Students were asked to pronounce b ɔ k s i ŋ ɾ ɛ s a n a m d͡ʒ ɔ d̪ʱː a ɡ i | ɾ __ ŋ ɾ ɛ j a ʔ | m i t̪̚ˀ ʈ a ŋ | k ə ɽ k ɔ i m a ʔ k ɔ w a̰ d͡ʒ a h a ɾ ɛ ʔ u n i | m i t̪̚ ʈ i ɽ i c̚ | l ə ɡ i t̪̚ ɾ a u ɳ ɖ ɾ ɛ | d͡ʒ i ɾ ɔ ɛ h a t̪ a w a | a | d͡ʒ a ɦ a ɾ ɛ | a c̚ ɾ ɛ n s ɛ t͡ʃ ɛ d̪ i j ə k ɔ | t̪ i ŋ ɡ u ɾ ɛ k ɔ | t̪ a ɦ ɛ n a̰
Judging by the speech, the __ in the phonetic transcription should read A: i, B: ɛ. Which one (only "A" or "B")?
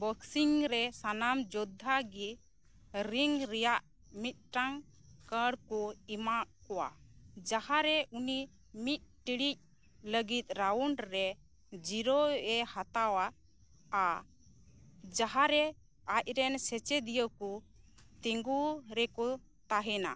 A